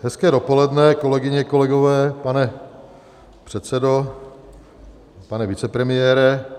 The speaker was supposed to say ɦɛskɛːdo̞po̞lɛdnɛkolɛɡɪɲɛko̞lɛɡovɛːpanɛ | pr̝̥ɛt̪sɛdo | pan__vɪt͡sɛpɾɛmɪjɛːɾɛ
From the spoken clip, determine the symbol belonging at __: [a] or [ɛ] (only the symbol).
ɛ